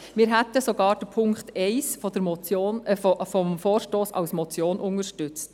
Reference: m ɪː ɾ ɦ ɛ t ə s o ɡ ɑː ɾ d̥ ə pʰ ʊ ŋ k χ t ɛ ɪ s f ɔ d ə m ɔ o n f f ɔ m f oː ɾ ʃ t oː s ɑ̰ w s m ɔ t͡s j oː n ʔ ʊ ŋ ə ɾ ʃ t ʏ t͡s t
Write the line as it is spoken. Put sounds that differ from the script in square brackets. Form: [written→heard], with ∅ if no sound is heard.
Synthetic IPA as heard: m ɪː ɾ ɦ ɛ t ə s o ɡ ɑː ɾ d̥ ə pʰ ʊ ŋ k χ t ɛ ɪ s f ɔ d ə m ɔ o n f f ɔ m f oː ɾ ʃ t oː s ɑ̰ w s m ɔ t͡s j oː n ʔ ʊ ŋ ə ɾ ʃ t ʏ t͡s t